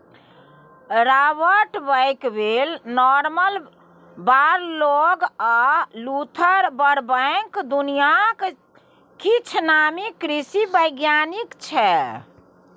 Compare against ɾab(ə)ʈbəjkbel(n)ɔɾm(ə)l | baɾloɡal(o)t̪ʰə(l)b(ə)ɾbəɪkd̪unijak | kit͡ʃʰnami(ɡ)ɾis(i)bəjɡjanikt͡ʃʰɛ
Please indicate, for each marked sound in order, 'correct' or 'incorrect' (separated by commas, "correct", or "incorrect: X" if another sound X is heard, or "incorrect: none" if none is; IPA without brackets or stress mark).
correct, correct, correct, incorrect: u, incorrect: ɾ, correct, incorrect: k, correct